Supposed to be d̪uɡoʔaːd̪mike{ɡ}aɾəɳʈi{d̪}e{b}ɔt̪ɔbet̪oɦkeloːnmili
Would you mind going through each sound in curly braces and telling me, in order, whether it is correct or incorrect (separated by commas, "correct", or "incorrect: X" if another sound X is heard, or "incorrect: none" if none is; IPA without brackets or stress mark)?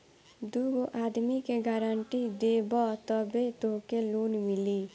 correct, correct, correct